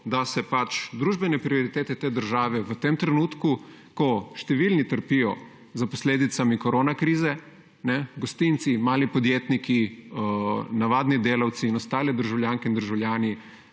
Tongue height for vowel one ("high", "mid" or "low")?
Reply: low